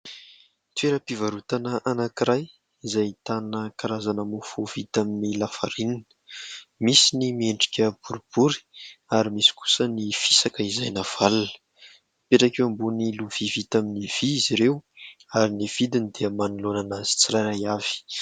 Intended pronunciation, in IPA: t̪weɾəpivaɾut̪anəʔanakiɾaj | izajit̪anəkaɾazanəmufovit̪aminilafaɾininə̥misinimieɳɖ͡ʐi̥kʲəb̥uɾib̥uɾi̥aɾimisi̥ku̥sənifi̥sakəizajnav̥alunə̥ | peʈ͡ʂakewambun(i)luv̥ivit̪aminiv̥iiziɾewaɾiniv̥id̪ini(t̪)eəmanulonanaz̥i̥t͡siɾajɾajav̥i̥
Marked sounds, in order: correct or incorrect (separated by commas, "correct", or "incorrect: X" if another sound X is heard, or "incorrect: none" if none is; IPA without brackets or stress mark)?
correct, incorrect: d̪